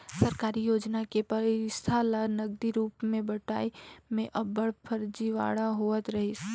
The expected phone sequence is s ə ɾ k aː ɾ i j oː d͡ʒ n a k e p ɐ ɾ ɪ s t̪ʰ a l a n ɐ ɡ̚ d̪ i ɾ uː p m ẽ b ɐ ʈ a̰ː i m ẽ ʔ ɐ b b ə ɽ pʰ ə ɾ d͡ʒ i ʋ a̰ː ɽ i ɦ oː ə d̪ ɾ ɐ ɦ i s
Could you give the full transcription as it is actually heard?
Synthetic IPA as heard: s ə ɾ k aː ɾ i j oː d͡ʒ n a k e p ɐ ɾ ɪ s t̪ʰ a l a n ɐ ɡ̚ d̪ i ɾ uː p m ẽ b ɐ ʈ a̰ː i m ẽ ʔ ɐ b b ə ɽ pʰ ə ɾ d͡ʒ i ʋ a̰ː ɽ a ɦ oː ə t̪ ɾ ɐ ɦ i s